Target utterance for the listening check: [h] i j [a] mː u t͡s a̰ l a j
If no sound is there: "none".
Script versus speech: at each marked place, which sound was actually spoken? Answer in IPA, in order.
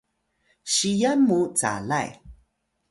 ɕ, a

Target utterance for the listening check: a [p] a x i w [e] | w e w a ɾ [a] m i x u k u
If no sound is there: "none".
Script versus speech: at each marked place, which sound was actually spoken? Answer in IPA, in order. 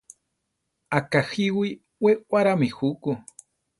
k, i, a

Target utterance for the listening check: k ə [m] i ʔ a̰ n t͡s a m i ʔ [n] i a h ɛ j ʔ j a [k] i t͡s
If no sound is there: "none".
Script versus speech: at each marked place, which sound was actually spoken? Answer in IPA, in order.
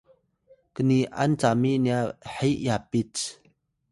n, n, p

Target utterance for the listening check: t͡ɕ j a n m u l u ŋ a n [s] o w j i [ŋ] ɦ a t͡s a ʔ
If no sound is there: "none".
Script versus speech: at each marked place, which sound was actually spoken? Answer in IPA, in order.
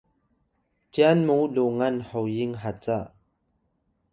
h, ŋ

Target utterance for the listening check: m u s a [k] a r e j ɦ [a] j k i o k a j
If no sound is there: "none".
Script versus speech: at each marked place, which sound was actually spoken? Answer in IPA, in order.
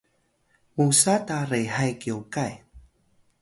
t, a

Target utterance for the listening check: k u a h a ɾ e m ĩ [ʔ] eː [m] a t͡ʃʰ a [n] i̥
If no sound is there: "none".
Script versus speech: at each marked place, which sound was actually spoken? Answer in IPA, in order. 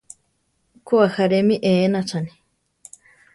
ʔ, n, n

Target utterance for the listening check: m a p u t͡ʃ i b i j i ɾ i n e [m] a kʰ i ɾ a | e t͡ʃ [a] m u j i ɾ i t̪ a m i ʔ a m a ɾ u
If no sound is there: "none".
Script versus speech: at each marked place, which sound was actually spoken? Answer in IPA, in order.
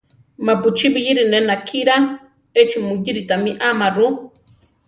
n, i

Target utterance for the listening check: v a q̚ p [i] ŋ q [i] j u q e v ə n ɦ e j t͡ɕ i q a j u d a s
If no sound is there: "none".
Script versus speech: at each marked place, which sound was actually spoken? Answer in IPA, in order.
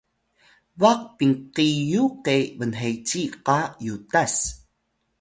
i, i

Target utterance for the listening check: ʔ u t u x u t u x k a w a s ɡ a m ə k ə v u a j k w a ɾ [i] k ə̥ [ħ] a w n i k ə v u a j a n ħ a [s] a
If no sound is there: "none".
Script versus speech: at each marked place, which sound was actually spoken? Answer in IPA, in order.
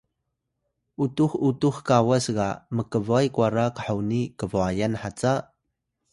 a, ħ, t͡s

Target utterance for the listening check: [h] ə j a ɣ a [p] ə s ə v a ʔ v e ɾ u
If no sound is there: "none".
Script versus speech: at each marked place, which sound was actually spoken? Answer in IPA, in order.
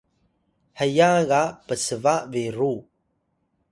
h, p

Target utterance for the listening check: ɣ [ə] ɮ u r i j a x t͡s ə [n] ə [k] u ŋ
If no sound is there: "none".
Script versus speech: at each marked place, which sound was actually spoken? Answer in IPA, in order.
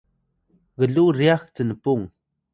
ə, n, p

